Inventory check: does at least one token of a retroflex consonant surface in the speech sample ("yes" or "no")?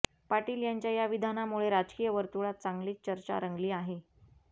yes